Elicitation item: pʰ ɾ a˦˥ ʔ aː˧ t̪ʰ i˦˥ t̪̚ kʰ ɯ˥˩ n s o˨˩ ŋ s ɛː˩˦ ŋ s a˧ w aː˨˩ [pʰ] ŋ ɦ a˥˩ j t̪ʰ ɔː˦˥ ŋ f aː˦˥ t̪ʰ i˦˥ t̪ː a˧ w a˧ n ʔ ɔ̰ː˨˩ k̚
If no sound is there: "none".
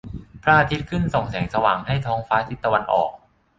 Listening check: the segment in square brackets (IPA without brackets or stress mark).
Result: none